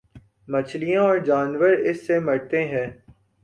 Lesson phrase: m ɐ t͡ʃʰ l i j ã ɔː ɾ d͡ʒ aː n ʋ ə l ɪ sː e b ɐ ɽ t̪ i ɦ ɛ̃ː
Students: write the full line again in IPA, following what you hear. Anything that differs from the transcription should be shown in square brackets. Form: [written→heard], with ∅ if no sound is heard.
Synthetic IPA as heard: m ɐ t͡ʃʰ l i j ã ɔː ɾ d͡ʒ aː n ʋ ə [l→ɾ] ɪ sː e [b→m] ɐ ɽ t̪ [i→e] ɦ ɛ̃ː